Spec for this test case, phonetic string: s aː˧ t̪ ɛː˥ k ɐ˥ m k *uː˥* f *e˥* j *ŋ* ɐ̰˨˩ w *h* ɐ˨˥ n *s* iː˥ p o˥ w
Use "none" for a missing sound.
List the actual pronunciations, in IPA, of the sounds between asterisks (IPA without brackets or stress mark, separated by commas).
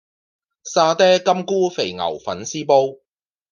uː˥, e˨, ŋ, f, s